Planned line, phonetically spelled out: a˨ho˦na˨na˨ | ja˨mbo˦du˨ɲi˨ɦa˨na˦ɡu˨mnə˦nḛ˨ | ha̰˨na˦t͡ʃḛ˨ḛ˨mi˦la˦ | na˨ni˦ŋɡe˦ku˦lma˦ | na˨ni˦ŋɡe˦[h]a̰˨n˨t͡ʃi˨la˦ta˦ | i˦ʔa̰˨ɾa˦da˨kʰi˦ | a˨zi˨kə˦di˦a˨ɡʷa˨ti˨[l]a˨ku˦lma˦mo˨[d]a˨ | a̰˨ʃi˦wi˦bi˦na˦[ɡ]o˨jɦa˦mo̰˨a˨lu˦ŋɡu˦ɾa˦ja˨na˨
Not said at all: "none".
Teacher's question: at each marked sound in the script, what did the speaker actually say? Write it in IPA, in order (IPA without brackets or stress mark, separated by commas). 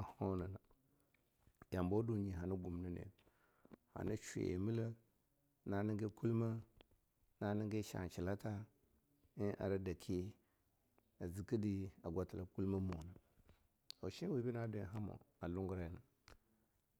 ʃ, l, n, d